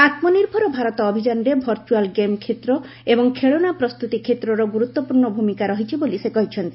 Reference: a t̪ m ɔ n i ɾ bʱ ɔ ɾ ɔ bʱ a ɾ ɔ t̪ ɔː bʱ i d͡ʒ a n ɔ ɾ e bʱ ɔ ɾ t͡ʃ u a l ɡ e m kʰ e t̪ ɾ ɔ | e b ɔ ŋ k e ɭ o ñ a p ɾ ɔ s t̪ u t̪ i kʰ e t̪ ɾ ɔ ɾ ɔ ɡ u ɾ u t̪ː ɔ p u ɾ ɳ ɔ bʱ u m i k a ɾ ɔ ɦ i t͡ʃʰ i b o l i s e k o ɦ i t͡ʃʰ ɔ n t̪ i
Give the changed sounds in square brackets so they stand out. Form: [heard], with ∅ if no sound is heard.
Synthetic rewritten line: a t̪ m ɔ n i ɾ bʱ ɔ ɾ ɔ bʱ a ɾ ɔ t̪ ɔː bʱ i d͡ʒ a n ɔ ɾ e bʱ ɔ ɾ t͡ʃ u a l ɡ e m kʰ e t̪ ɾ ɔ | e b ɔ ŋ [kʰ] e ɭ o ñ a p ɾ ɔ s t̪ u t̪ i kʰ e t̪ ɾ ɔ ɾ ɔ ɡ u ɾ u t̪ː ɔ p u ɾ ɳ ɔ bʱ u m i k a ɾ ɔ ɦ i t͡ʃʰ i b o l i s e k [ɔ] ɦ i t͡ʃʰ ɔ n t̪ i

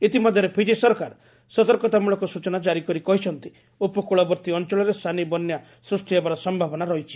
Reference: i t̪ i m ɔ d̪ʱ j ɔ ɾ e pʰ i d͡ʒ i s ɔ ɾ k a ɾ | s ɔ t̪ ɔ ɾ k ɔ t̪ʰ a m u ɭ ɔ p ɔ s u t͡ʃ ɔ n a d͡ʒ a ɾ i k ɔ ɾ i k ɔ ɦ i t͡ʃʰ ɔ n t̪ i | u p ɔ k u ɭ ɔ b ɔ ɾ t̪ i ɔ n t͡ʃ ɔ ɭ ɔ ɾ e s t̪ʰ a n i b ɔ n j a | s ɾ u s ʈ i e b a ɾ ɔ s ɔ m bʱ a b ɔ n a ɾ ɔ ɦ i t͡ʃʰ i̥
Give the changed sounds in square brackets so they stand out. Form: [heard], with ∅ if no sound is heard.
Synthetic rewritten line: i t̪ i m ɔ d̪ʱ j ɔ ɾ e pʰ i d͡ʒ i s ɔ ɾ k a ɾ | s ɔ t̪ ɔ ɾ k ɔ [t̪] a m u ɭ ɔ [k] ɔ s u t͡ʃ ɔ n a d͡ʒ a ɾ i k ɔ ɾ i k ɔ ɦ i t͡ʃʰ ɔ n t̪ i | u p ɔ k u ɭ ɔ b ɔ ɾ t̪ i ɔ n t͡ʃ ɔ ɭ ɔ ɾ e s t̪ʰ a n i b ɔ n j a | s ɾ u s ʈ i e b a ɾ ɔ s ɔ m bʱ a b ɔ n a ɾ ɔ ɦ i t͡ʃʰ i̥

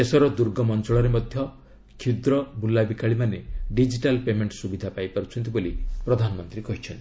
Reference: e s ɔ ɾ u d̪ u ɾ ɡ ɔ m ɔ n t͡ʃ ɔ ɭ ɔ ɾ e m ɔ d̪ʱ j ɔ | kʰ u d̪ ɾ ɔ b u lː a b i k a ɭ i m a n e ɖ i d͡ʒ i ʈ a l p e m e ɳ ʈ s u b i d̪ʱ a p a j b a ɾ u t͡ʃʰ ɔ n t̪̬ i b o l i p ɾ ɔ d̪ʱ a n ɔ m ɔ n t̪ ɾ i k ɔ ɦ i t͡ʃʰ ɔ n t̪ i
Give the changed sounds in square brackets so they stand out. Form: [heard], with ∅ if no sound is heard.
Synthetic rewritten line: e s ɔ ɾ [ɔ] d̪ u ɾ ɡ ɔ m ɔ n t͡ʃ ɔ ɭ ɔ ɾ e m ɔ d̪ʱ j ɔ | kʰ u d̪ ɾ ɔ b u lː a b i k a ɭ i m a n e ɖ i d͡ʒ i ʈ a l p e m e ɳ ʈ s u b i d̪ʱ a p a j [p] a ɾ u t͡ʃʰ ɔ n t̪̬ i b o l i p ɾ ɔ d̪ʱ a n ɔ m ɔ n t̪ ɾ i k ɔ ɦ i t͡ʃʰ ɔ n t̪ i

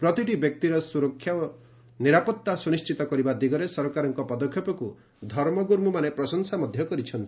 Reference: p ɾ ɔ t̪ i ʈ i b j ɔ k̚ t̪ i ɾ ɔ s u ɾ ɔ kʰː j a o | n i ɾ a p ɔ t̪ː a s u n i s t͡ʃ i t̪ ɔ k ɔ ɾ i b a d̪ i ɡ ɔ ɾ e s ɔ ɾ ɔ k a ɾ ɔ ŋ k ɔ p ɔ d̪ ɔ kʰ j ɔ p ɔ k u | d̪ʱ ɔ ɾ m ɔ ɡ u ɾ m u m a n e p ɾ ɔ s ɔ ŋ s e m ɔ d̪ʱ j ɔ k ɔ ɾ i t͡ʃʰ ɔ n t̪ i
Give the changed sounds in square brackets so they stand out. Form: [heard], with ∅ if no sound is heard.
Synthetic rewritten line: p ɾ ɔ t̪ i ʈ i b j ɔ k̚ t̪ i ɾ ɔ s u ɾ ɔ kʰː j a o | n i ɾ a p ɔ t̪ː a s u n i s t͡ʃ i t̪ ɔ k ɔ ɾ i b a d̪ i ɡ ɔ ɾ e s ɔ ɾ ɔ k a ɾ ɔ ŋ k ɔ p ɔ d̪ ɔ kʰ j ɔ p ɔ k u | d̪ʱ ɔ ɾ m ɔ ɡ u ɾ m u m a n e p ɾ ɔ s ɔ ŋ s [a] m ɔ d̪ʱ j ɔ k ɔ ɾ i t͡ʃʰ ɔ n t̪ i

